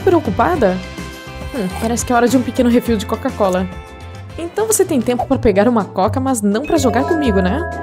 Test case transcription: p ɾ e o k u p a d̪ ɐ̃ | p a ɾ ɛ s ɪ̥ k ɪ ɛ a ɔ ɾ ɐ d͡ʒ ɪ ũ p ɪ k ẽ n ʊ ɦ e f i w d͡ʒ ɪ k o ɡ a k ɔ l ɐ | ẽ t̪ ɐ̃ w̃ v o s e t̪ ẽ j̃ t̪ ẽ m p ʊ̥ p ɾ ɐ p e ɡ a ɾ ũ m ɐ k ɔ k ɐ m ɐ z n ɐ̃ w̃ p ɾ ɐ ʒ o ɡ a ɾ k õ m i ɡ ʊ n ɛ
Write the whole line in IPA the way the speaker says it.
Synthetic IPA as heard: p ɾ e o k u p a d̪ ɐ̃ | p a ɾ ɛ s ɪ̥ k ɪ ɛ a ɔ ɾ ɐ d͡ʒ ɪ ũ p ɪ k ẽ n ʊ ɦ e f i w d͡ʒ ɪ k o k a k ɔ l ɐ | ẽ t̪ ɐ̃ w̃ v o s e t̪ ẽ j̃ t̪ ẽ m p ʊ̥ p ɾ ɐ p e ɡ a ɾ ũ m ɐ k ɔ k ɐ m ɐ z n ɐ̃ w̃ p ɾ ɐ ʒ o ɡ a ɾ k õ m i ɡ ʊ n ɛ